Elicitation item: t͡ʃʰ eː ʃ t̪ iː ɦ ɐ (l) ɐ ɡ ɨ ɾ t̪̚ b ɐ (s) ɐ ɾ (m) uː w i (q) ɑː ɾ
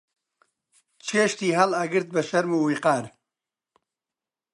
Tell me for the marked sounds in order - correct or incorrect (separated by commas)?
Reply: correct, incorrect, correct, correct